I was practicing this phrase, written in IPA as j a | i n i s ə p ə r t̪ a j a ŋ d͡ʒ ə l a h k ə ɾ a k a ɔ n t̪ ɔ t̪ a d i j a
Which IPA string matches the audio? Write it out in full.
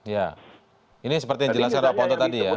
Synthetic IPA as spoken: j a | i n i s ə p ə r t̪ i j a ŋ d͡ʒ ə l a s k a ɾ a p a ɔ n t̪ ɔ t̪ a d i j a